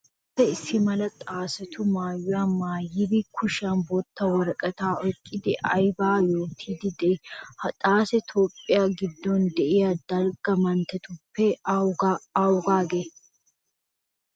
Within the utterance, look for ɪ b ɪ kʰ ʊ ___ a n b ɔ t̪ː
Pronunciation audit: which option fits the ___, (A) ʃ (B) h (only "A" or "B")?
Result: A